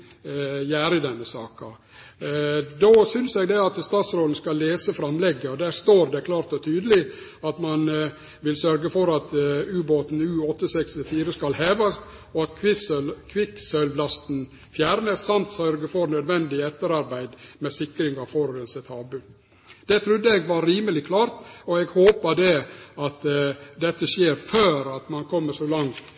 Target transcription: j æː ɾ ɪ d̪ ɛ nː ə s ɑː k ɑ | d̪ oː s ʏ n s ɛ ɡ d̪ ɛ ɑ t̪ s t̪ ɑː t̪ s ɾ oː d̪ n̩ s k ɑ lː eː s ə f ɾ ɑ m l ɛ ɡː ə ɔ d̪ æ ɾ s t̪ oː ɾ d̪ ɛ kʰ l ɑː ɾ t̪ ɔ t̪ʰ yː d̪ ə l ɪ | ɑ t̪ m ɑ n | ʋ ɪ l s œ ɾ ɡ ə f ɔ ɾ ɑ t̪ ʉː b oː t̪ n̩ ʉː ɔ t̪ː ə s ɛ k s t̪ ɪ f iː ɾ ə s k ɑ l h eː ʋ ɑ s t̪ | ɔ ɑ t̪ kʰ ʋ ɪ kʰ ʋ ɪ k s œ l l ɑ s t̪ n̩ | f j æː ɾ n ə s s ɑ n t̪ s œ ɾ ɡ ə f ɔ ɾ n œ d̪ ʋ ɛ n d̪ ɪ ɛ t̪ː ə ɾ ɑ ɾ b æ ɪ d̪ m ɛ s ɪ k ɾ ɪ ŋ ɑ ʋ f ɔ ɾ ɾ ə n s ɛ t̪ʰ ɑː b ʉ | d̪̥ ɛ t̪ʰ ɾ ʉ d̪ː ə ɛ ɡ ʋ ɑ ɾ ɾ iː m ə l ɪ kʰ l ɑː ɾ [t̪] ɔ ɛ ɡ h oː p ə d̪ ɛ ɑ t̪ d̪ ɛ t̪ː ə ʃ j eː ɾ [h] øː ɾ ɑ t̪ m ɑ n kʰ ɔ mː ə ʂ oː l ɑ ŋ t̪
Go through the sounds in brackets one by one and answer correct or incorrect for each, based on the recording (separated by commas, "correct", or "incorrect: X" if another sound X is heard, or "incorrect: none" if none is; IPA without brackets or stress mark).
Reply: correct, incorrect: f